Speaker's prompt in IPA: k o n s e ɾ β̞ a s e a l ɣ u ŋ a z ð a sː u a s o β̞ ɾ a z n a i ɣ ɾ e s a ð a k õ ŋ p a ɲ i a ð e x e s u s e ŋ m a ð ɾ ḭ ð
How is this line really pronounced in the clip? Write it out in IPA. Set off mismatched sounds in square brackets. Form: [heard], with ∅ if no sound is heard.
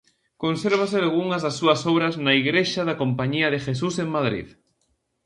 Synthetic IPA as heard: k o n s e ɾ β̞ a s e a l ɣ u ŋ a z ð a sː u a s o β̞ ɾ a z n a i ɣ ɾ e [ʃ] a ð a k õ [m] p a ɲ i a ð e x e s u s e ŋ m a ð ɾ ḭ ð